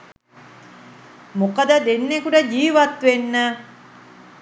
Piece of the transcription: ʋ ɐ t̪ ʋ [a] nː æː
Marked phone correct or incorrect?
incorrect